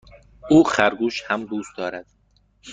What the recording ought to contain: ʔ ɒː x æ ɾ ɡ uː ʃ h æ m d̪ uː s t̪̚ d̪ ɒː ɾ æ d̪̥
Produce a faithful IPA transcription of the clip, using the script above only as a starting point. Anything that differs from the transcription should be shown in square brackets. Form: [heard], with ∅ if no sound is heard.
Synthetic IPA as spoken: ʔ [uː] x æ ɾ ɡ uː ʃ h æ m d̪ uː s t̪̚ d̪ ɒː ɾ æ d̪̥